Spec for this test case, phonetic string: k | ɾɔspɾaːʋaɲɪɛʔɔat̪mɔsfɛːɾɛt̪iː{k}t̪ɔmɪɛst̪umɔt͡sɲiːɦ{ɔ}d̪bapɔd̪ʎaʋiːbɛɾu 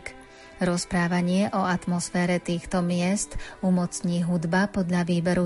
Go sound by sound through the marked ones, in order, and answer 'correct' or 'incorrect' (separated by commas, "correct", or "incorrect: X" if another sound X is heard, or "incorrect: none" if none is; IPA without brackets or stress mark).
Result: incorrect: x, incorrect: u